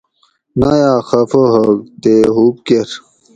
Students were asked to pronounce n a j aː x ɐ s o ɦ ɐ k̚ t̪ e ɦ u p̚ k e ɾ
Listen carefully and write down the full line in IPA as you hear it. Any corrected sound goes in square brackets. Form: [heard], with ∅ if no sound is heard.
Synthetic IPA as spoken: n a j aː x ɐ [f] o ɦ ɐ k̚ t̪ e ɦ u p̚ k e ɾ